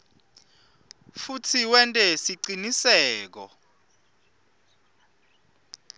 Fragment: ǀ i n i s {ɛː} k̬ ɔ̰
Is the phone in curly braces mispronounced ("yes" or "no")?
no